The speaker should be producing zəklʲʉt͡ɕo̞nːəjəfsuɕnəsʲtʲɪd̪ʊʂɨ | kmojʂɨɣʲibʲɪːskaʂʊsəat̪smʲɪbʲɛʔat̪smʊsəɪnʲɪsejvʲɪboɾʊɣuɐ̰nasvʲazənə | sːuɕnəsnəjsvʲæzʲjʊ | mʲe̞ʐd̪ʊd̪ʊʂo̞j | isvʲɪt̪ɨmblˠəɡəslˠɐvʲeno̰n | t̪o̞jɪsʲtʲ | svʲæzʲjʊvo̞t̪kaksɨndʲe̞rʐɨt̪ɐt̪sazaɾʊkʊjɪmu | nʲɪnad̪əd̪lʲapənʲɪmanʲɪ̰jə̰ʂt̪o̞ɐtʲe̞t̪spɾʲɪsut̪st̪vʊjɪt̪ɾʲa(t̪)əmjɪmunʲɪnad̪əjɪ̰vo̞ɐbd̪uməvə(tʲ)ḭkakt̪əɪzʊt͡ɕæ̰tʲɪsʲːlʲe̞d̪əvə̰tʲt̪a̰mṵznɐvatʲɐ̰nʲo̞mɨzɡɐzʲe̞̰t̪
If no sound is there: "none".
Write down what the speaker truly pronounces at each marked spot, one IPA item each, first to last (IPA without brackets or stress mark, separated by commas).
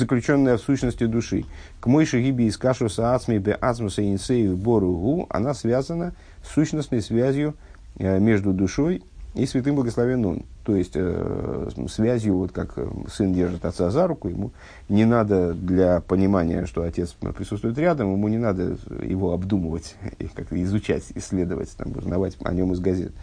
d̪, tʲ